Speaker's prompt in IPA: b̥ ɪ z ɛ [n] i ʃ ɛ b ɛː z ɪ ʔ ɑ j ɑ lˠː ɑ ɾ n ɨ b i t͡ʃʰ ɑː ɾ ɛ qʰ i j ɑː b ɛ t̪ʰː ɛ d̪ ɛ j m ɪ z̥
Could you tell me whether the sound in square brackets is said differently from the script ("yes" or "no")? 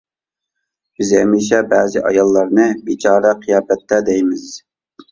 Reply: yes